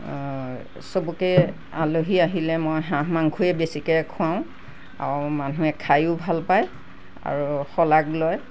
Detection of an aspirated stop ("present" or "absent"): present